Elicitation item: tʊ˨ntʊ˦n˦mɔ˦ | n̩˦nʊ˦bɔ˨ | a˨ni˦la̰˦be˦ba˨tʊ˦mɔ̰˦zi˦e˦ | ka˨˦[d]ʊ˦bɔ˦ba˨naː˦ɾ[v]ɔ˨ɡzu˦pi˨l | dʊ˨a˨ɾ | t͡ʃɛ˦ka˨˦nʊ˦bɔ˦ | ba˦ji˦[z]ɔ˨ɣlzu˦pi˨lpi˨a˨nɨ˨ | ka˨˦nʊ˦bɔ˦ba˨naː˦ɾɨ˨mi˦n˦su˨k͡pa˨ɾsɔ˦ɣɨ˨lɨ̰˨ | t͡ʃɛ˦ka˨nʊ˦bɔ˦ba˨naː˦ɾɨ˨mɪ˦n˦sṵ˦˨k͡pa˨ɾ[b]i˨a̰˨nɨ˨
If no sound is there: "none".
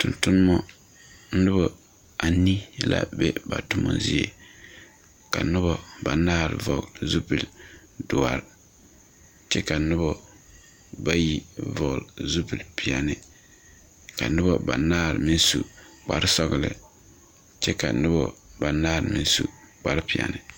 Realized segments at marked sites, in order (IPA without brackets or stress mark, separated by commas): n, v, v, p